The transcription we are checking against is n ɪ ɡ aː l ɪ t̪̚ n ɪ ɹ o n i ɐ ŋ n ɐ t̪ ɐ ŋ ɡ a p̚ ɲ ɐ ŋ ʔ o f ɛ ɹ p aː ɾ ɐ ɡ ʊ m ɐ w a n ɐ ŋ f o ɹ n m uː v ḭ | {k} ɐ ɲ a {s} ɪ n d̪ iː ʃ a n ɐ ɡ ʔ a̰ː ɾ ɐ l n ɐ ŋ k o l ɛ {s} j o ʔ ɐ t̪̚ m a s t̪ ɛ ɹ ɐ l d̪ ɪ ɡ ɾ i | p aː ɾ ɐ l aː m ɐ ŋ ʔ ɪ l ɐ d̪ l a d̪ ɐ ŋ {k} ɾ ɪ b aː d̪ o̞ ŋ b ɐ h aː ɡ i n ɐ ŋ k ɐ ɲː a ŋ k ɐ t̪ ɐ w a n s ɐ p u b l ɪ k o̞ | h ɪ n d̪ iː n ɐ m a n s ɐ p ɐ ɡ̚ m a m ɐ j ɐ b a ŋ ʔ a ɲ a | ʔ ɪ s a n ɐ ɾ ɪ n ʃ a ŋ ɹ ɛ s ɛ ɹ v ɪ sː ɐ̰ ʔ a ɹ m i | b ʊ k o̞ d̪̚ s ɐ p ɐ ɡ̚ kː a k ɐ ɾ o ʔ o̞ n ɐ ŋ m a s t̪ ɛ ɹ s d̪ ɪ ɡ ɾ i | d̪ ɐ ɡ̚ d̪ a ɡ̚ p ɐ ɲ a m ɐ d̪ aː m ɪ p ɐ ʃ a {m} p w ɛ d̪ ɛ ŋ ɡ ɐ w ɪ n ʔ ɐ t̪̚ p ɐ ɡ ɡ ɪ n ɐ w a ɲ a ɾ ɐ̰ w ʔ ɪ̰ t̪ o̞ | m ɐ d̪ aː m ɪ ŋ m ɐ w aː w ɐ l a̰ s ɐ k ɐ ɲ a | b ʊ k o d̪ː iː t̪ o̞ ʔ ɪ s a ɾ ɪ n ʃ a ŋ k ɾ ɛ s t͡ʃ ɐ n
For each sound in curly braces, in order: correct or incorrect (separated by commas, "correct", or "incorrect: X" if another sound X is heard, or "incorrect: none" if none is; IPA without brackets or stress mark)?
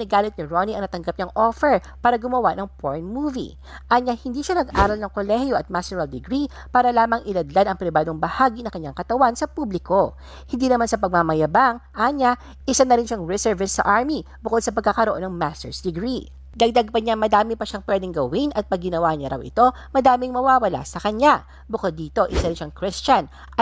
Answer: incorrect: ʔ, incorrect: h, incorrect: h, incorrect: p, incorrect: ŋ